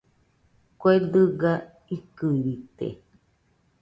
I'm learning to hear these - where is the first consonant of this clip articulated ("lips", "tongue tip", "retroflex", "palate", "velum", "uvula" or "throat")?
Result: velum